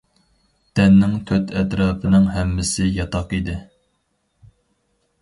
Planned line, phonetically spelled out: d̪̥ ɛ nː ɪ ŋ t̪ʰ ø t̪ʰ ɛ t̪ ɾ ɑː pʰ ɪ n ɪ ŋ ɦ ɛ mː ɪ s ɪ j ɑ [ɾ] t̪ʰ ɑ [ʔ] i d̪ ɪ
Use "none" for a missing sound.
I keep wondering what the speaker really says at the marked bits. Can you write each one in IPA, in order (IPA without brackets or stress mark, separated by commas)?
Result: none, q